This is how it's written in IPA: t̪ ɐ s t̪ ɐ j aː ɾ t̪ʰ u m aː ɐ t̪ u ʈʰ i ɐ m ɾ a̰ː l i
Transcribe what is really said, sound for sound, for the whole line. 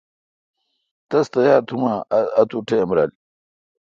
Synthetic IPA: t̪ ɐ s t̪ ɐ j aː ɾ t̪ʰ u m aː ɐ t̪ u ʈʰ e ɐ m ɾ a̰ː l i